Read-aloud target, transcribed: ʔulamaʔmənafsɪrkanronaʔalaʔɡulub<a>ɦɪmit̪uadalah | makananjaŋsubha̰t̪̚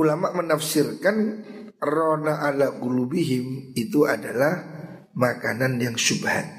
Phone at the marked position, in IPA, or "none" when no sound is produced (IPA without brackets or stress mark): i